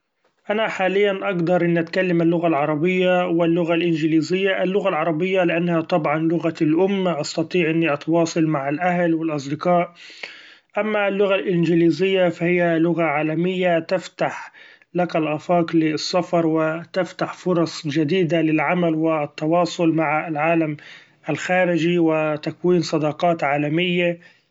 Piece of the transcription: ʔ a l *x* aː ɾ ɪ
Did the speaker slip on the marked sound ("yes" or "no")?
no